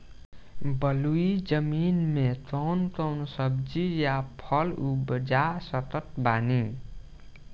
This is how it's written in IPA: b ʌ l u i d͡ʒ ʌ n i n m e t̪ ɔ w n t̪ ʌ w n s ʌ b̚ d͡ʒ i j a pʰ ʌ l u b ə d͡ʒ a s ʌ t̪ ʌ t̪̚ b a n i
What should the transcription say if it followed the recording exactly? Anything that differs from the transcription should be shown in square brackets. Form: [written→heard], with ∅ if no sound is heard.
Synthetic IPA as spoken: b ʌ l u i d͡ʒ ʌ [n→m] i n m e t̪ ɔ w n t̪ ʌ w n s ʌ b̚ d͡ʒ i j a pʰ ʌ l u b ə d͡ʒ a s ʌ t̪ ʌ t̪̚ b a n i